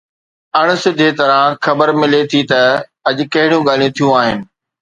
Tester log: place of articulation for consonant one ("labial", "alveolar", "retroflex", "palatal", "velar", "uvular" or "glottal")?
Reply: retroflex